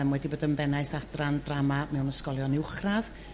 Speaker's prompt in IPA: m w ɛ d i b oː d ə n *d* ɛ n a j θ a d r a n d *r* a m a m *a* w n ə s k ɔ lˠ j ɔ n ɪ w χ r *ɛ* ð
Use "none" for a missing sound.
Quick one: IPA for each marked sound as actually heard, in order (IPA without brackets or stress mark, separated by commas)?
b, r, ɛ, a